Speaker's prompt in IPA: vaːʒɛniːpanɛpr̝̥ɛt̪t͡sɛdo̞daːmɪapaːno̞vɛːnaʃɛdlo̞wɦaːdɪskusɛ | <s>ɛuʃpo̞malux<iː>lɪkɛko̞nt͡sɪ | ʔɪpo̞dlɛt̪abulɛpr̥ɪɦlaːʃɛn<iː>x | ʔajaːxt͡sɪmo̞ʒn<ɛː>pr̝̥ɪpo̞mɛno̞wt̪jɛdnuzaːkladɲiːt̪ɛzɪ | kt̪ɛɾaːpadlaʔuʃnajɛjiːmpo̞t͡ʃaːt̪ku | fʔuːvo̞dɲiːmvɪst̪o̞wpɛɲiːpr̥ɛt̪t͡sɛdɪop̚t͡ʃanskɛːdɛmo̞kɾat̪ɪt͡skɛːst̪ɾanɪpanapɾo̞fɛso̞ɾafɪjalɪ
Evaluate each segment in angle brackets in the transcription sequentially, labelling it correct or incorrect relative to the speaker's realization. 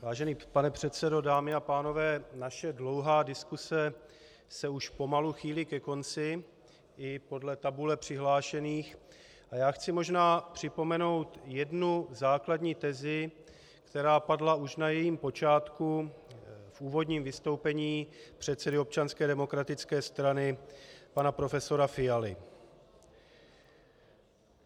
correct, correct, correct, incorrect: aː

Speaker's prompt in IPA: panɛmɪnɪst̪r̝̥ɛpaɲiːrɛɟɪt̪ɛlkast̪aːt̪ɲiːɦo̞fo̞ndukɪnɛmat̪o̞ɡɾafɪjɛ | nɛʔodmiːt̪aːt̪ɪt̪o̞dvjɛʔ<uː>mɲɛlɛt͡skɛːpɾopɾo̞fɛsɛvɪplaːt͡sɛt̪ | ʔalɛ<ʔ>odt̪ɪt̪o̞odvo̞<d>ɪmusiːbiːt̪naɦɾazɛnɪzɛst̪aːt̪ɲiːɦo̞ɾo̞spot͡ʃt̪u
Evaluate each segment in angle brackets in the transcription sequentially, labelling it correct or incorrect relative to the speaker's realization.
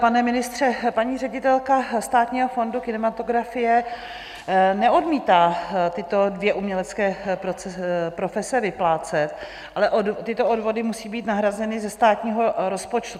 incorrect: u, correct, correct

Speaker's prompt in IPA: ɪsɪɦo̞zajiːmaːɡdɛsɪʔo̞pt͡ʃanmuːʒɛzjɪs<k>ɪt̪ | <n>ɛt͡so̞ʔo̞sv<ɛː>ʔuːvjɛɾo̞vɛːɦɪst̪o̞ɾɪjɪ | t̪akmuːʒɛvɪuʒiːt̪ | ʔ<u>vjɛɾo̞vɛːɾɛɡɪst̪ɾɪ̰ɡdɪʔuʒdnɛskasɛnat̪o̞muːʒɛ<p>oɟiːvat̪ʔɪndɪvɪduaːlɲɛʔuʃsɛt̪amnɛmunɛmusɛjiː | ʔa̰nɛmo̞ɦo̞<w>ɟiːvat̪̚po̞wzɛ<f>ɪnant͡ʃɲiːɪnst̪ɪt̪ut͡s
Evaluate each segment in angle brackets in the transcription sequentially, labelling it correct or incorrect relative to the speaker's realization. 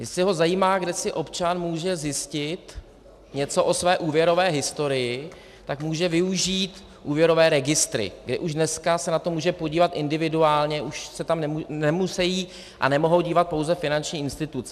incorrect: c, incorrect: ɲ, correct, incorrect: uː, correct, correct, correct

